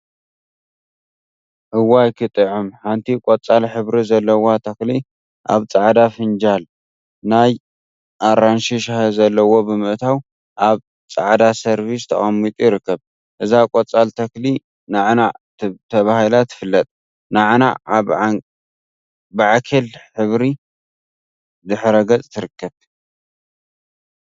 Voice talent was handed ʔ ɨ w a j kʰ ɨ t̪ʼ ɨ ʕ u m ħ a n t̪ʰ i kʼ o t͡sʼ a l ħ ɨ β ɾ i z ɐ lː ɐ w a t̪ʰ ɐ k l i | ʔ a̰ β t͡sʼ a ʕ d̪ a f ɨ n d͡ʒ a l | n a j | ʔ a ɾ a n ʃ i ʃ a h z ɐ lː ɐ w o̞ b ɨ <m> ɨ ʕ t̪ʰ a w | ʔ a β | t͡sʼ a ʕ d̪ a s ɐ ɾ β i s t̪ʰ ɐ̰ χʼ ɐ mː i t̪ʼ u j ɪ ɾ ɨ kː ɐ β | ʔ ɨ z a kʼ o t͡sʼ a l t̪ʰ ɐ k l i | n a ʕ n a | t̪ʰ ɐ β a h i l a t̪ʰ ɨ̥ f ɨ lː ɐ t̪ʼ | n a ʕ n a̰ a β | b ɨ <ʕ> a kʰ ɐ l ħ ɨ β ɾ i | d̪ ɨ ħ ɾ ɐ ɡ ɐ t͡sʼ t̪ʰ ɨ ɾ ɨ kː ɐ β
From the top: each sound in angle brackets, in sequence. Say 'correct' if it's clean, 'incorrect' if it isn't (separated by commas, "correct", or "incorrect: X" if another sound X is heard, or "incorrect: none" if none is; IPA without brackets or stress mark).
correct, correct